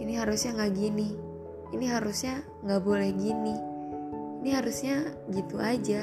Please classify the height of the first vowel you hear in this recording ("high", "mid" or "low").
high